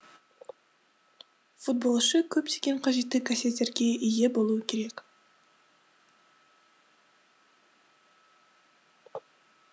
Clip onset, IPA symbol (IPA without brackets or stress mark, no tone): f